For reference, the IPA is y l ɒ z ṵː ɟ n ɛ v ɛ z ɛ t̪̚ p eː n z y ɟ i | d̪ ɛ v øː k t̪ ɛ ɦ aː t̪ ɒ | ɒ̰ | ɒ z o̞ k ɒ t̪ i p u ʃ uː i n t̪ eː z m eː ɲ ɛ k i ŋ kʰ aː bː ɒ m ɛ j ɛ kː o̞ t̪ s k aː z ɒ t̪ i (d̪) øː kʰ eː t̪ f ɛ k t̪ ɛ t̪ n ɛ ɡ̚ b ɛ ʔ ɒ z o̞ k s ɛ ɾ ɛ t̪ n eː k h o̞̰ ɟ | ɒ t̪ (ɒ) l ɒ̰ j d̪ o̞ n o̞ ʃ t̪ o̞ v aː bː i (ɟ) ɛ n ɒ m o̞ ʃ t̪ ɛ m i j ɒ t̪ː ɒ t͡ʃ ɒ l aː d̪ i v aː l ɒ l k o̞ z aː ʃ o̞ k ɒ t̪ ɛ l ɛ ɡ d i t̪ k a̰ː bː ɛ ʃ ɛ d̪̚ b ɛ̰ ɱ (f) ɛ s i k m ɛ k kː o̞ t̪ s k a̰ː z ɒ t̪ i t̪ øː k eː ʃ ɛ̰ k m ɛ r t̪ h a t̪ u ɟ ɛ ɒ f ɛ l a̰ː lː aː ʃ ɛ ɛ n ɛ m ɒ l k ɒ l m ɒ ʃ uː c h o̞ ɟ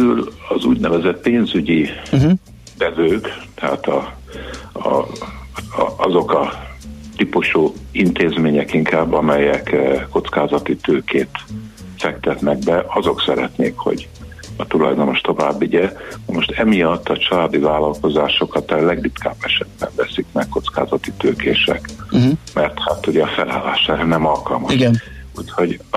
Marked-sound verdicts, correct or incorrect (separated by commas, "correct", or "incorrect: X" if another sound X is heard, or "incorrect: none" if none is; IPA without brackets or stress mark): incorrect: t̪, incorrect: u, correct, incorrect: v